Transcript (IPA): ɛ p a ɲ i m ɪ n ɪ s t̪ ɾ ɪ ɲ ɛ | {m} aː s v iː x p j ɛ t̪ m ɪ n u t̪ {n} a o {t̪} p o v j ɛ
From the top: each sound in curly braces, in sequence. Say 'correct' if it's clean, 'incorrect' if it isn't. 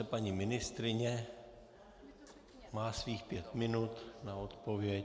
correct, correct, correct

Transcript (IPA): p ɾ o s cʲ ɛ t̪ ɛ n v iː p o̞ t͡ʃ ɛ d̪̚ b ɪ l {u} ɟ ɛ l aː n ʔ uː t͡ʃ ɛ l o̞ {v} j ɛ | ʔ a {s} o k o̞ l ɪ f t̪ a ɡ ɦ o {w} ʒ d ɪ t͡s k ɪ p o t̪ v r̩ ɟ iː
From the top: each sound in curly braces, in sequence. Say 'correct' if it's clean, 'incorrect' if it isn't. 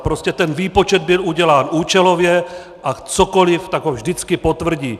correct, correct, incorrect, incorrect

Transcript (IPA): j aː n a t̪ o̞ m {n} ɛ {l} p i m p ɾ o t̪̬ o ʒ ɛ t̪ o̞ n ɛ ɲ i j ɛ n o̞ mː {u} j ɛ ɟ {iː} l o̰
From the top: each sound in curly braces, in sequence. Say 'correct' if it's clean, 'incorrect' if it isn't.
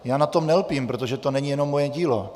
correct, correct, incorrect, correct

